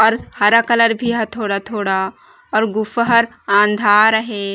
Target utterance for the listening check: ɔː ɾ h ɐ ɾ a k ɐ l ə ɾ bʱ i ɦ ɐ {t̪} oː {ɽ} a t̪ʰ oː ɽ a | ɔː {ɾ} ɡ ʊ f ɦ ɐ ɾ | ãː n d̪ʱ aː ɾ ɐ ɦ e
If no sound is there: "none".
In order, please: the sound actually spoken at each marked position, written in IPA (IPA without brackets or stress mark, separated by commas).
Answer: t̪ʰ, ɽ, ɾ